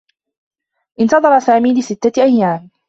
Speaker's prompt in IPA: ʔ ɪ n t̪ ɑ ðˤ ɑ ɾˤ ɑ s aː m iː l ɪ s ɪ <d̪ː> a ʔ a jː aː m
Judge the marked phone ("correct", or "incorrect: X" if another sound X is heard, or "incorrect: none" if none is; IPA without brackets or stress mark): incorrect: t̪ː